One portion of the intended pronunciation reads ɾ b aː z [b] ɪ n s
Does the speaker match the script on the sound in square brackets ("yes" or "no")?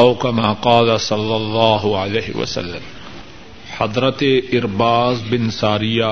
yes